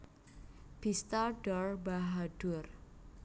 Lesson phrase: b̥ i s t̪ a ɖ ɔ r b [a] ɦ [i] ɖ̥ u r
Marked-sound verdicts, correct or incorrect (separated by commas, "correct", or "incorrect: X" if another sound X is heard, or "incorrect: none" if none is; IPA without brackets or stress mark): correct, incorrect: a